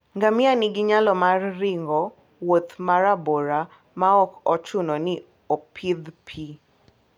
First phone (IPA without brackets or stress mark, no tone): ŋ